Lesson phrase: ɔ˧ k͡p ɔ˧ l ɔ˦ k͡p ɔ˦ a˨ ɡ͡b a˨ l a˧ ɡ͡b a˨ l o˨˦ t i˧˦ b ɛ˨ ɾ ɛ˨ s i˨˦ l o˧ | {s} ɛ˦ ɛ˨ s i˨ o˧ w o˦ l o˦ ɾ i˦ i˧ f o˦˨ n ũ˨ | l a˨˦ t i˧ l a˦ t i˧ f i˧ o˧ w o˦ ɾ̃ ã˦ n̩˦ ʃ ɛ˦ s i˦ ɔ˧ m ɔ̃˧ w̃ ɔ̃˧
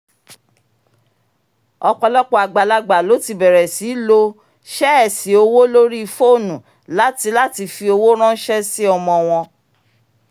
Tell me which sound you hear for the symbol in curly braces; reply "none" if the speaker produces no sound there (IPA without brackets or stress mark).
ʃ